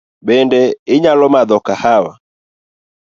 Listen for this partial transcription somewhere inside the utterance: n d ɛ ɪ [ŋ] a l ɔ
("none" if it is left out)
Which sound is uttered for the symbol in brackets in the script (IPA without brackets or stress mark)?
ɲ